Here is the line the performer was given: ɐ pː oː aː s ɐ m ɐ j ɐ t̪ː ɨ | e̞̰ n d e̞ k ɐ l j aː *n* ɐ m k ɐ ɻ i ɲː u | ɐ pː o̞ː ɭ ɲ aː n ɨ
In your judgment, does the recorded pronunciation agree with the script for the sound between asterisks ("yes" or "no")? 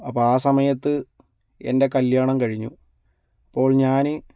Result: no